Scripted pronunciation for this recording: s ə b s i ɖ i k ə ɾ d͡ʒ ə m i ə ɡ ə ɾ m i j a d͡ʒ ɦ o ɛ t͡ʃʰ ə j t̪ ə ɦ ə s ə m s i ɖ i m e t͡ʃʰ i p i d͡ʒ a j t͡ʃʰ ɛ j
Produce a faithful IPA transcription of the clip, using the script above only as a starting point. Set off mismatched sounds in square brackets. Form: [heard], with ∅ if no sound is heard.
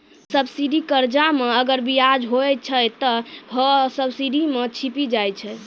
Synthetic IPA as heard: s ə b s i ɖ i k ə ɾ d͡ʒ [a] m [e] ə ɡ ə ɾ [b] i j a d͡ʒ ɦ o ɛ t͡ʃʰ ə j t̪ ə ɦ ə s ə [b] s i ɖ i m e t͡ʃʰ i p i d͡ʒ a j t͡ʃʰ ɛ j